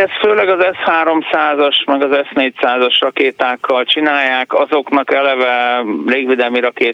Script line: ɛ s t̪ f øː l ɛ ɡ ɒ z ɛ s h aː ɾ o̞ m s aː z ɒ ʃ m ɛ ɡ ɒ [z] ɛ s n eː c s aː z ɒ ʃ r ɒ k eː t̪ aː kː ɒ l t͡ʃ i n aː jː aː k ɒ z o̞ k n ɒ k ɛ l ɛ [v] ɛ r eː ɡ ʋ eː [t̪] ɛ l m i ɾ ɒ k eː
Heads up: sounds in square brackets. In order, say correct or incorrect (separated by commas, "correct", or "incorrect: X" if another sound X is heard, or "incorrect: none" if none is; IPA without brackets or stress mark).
correct, correct, incorrect: d̪